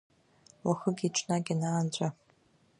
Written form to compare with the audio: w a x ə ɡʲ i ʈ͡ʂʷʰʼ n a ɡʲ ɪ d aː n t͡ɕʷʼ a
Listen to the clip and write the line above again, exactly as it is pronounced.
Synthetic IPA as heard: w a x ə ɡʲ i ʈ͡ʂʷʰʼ n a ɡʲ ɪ n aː n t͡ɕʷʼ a